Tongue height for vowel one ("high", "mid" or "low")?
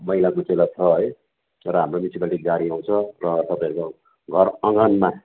mid